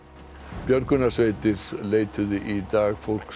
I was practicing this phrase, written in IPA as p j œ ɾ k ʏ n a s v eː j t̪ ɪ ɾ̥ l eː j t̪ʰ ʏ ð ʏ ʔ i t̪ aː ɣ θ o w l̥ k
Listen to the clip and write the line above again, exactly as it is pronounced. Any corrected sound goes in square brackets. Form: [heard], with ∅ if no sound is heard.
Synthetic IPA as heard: p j œ ɾ k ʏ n a s v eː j t̪ ɪ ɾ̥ l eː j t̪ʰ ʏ ð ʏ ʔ i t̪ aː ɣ [f] o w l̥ k